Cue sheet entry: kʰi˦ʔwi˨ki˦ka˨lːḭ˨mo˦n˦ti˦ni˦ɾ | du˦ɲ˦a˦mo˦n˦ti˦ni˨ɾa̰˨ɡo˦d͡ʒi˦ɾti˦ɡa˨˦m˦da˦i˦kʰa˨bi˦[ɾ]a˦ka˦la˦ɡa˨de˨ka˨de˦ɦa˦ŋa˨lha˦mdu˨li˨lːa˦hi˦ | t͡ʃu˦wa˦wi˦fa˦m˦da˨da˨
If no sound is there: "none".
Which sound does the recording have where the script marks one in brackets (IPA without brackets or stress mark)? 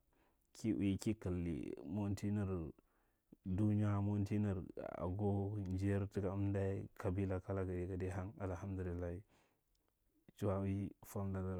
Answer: l